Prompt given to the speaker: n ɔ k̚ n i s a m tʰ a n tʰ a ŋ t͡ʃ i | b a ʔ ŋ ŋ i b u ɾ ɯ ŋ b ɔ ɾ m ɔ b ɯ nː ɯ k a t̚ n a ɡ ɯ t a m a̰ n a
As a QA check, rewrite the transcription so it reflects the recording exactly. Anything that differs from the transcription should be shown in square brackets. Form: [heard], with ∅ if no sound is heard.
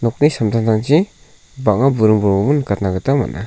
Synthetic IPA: n ɔ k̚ n i s a m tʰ a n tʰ a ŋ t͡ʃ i | b a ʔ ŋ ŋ [a] b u ɾ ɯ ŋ b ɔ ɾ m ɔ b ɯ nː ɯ k a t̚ n a ɡ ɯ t a m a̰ n a